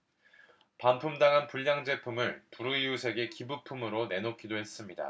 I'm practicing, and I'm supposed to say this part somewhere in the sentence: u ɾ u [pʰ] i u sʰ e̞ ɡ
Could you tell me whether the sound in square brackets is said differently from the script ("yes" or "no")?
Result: yes